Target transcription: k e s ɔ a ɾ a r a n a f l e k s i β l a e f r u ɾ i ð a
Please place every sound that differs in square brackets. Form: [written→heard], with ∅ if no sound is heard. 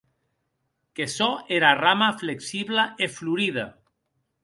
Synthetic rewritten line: k e s ɔ [a→e] ɾ a r a [n→m] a f l e k s i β l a e f [r→l] u ɾ i ð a